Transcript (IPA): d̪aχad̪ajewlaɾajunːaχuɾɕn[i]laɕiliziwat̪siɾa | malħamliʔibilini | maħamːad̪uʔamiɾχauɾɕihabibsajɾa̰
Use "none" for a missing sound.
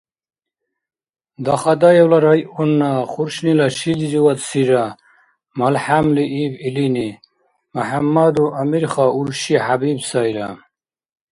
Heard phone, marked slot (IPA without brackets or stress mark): i